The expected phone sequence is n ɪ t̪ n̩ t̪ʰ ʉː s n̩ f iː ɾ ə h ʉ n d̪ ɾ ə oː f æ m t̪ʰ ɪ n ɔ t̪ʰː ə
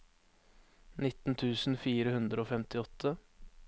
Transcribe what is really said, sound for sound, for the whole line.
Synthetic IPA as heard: n ɪ t̪ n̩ t̪ʰ ʉː s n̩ f iː ɾ ə h ʉ n d̪ ɾ ə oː f ɛ m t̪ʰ ɪ ɔ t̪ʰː ə